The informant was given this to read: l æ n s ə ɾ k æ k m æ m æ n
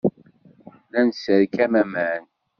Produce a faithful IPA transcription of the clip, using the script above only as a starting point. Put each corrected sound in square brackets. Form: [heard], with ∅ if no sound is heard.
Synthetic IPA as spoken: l æ n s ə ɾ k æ [∅] m æ m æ n